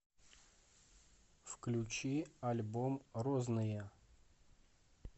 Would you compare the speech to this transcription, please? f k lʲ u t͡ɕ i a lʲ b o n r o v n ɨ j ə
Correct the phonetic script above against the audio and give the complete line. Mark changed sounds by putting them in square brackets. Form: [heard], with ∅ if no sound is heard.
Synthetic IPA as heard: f k lʲ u t͡ɕ i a lʲ b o [m] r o [z] n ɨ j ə